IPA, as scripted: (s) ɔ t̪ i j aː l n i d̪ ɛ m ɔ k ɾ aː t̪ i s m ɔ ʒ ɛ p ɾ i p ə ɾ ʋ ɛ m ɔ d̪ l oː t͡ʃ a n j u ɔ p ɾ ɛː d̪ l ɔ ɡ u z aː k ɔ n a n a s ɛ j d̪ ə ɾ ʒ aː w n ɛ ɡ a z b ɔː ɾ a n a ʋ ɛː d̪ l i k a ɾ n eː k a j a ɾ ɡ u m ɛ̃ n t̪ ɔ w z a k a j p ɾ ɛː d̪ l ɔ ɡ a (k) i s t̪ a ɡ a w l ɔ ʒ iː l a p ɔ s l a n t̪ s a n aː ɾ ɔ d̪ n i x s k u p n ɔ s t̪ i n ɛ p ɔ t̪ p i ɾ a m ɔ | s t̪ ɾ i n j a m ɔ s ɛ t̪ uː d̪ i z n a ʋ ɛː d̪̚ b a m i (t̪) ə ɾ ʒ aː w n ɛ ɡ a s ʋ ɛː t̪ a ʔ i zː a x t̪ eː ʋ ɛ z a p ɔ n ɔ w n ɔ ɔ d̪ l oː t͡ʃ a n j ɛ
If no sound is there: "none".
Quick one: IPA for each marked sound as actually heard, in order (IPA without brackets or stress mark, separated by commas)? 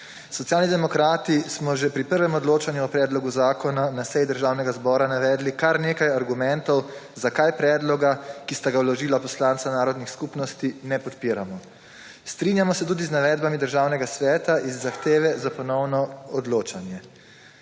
s, k, d̪